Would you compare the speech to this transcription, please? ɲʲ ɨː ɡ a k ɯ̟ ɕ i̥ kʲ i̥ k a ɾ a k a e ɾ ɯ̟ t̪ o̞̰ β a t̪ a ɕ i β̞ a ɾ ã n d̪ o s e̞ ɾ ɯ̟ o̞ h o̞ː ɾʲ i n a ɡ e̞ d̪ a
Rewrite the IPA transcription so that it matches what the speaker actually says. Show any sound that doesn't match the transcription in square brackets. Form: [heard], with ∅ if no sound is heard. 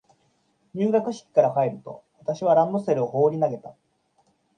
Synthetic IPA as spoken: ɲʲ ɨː ɡ a k ɯ̟ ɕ i̥ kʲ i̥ k a ɾ a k a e ɾ ɯ̟ t̪ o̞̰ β a t̪ a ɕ i β̞ a ɾ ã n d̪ o s e̞ ɾ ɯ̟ o̞ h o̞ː ɾʲ i n a ɡ e̞ [t̪] a